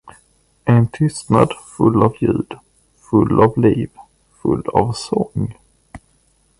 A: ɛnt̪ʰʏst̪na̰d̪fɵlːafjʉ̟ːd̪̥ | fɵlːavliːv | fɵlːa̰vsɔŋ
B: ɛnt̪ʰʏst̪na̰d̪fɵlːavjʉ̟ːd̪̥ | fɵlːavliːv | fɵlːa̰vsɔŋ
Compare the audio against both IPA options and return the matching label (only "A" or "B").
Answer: B